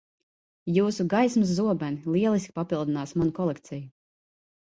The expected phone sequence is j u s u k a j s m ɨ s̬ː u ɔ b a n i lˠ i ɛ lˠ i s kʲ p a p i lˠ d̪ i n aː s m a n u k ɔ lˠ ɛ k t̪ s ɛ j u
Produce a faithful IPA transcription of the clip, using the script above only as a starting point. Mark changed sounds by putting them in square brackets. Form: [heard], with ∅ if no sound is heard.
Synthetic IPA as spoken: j [uː] s u [ɡ] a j s m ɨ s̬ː u ɔ b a n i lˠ i ɛ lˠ i s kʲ p a p i lˠ d̪ i n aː s m a n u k ɔ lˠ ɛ k t̪ s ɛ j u